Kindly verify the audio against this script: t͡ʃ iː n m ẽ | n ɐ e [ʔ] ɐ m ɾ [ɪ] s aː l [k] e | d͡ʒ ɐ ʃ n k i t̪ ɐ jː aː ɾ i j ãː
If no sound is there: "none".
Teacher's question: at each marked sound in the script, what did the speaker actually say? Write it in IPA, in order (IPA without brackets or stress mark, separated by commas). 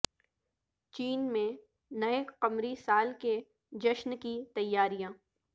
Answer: q, i, k